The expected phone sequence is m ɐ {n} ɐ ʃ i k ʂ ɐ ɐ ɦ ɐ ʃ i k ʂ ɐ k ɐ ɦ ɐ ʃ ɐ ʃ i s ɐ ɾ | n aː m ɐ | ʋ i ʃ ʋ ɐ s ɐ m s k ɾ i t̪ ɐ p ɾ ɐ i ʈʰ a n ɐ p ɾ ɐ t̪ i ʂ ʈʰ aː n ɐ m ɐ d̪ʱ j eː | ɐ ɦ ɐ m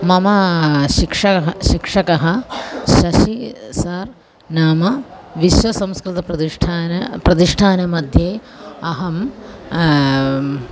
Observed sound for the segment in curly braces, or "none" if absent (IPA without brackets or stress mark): m